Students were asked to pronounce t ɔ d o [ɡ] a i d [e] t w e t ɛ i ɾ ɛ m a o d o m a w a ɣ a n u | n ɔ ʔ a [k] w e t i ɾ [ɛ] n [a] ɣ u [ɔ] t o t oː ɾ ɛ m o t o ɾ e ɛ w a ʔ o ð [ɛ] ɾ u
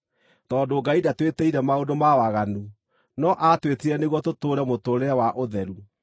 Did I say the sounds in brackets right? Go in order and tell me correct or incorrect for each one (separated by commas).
correct, incorrect, incorrect, correct, incorrect, correct, correct